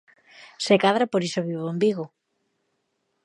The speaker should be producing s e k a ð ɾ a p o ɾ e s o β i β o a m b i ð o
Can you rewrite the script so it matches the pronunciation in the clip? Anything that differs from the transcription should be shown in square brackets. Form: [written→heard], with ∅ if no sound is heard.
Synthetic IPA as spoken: s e k a ð ɾ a p o ɾ [e→i] s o β i β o [a→e] m b i [ð→ɣ] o